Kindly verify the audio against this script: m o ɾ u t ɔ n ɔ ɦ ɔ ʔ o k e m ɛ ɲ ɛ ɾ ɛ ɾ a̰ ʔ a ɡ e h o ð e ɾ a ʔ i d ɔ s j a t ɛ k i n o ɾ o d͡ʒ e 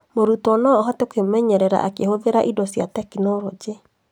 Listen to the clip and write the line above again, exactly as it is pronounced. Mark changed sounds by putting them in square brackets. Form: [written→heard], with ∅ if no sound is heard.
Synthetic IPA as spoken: m o ɾ u t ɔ n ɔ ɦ ɔ [ʔ→t] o k e m ɛ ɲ ɛ ɾ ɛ ɾ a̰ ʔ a [ɡ→k] e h o ð e ɾ a ʔ i d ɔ s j a t ɛ k i n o ɾ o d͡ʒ e